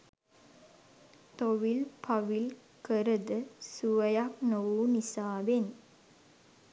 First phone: t̪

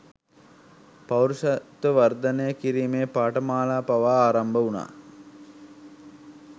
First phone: p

